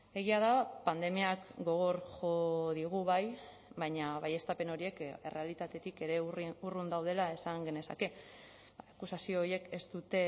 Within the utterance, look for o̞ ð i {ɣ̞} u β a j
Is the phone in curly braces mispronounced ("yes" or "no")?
no